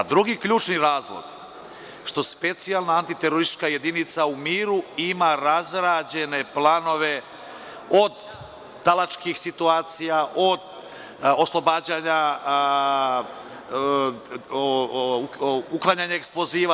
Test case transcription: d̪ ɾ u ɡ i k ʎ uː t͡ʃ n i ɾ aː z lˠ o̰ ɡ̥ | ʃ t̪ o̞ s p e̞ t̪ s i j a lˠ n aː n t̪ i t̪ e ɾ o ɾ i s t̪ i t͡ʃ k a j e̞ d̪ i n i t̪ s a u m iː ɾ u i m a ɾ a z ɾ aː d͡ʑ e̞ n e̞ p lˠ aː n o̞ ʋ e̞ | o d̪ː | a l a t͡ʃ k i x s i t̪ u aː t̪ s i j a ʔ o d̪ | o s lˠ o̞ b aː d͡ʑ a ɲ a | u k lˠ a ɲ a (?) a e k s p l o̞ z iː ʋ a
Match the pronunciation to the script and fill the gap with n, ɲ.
ɲ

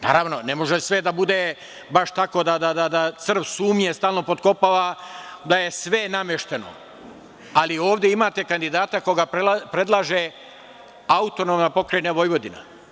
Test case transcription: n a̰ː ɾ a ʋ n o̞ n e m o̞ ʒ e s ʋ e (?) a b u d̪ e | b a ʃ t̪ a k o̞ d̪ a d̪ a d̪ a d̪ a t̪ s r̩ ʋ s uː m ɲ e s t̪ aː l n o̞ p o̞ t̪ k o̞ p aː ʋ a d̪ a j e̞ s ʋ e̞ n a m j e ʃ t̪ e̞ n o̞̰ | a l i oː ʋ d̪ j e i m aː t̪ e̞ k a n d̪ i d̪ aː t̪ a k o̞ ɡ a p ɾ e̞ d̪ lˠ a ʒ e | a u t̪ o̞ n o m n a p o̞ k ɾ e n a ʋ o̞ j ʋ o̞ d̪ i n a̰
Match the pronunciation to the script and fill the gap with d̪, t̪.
d̪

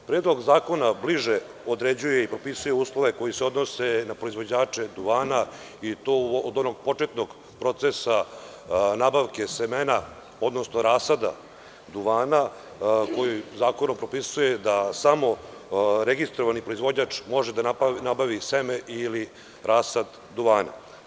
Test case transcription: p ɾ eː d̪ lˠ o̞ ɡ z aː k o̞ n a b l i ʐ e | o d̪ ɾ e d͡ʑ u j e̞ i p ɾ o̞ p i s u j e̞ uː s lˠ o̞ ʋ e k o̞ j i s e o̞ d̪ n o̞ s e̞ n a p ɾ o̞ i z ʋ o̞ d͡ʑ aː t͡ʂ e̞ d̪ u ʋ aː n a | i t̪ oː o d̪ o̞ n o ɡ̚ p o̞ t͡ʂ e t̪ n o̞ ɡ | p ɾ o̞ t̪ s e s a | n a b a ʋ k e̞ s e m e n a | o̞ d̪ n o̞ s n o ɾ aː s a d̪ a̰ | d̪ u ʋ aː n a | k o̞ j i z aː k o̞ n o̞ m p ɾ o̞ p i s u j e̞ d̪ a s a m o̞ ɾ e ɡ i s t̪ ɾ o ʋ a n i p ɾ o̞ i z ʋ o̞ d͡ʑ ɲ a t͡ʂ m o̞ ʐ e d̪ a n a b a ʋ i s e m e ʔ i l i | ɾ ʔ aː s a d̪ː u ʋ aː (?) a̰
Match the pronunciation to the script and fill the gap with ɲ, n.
n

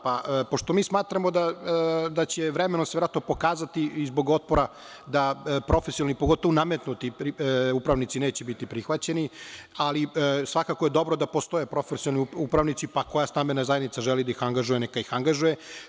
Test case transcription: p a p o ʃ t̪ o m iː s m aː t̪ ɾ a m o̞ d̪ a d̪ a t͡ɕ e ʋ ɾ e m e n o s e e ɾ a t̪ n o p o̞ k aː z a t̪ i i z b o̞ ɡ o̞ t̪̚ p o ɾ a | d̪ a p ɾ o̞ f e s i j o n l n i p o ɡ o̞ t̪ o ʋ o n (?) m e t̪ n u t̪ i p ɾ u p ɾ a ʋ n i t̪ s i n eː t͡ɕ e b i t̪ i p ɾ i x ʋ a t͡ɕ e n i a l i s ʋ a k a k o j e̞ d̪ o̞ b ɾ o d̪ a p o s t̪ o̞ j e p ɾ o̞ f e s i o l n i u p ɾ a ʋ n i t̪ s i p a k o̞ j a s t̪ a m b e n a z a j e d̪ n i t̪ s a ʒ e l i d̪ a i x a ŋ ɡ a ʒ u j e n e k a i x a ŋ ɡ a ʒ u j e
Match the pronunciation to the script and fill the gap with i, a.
a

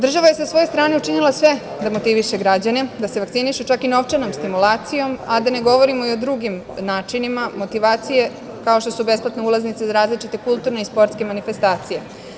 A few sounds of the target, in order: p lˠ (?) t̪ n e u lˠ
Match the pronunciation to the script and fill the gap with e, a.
a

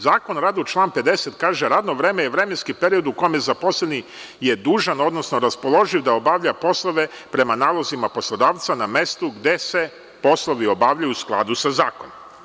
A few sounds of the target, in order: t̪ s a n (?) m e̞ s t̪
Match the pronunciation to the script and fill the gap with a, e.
a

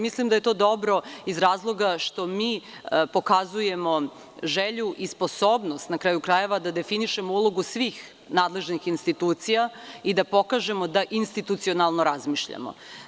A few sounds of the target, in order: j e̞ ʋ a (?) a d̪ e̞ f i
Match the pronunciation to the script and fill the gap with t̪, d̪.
d̪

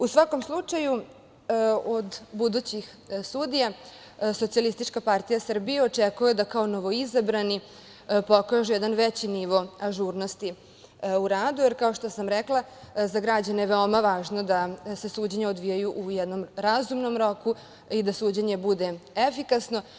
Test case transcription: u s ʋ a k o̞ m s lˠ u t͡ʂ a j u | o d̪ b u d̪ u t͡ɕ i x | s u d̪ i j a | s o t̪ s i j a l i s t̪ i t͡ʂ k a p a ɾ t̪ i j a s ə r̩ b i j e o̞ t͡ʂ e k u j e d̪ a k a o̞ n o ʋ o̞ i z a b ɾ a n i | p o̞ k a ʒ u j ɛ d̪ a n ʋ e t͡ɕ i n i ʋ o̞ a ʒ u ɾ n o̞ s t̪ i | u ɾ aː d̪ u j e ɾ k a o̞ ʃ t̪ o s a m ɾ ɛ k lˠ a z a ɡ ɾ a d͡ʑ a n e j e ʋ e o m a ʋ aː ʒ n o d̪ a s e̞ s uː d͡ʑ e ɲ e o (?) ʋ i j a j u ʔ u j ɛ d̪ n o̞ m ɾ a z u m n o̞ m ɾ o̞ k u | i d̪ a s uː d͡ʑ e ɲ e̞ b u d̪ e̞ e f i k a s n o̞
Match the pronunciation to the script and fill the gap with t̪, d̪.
d̪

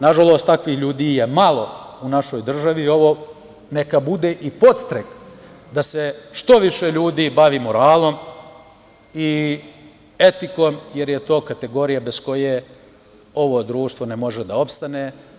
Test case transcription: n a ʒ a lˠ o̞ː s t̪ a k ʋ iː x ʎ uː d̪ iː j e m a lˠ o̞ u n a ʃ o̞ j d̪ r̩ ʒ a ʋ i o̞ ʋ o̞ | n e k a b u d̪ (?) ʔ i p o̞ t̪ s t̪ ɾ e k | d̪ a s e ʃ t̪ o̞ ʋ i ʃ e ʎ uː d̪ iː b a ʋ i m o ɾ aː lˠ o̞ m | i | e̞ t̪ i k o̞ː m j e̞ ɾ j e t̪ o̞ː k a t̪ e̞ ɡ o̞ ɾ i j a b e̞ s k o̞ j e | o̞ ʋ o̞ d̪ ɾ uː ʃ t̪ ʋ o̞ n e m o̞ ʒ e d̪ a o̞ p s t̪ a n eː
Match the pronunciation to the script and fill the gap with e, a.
e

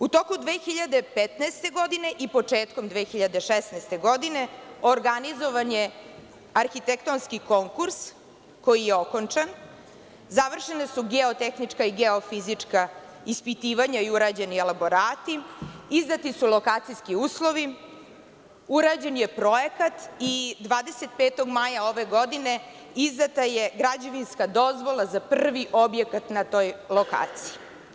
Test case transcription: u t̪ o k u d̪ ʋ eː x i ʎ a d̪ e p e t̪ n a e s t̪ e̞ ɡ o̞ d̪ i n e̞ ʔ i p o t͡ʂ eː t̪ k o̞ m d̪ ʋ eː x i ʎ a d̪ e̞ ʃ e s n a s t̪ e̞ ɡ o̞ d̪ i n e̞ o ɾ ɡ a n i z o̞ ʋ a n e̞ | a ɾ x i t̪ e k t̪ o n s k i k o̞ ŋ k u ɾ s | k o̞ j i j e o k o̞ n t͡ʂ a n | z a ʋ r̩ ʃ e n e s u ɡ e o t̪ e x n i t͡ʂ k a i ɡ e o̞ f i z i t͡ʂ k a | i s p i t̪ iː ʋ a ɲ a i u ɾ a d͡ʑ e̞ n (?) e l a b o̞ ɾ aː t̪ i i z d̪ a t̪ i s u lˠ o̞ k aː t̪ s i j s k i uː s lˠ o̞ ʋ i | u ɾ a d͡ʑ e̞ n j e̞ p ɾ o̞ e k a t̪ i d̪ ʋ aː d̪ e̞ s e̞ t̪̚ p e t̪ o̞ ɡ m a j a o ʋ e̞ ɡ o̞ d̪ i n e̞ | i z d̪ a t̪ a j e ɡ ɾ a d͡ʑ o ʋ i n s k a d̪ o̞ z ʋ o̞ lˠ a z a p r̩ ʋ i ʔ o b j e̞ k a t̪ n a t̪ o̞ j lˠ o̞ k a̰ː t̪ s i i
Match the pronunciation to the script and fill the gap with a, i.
i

